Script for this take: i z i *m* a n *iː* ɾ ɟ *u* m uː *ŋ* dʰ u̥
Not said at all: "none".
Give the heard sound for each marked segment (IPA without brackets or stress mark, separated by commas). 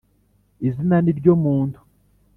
n, i, o, n